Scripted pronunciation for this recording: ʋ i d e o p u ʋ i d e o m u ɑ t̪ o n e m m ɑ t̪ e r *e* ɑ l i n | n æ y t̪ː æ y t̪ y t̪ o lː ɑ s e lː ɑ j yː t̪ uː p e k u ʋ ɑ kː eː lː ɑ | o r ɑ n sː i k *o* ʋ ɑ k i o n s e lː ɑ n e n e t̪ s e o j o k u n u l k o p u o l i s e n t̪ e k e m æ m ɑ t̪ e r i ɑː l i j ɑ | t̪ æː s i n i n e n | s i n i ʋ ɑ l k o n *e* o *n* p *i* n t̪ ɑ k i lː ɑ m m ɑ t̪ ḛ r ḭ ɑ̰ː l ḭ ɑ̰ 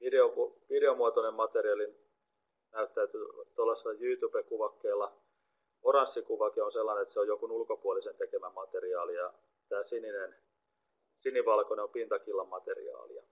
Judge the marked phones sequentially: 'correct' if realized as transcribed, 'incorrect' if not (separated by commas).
incorrect, incorrect, correct, incorrect, correct